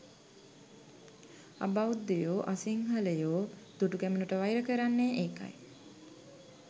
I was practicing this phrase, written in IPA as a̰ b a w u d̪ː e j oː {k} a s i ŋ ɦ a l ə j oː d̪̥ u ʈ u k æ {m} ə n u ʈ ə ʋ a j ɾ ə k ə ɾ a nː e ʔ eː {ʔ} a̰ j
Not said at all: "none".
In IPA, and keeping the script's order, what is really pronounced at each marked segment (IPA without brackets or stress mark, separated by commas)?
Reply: ʔ, m, k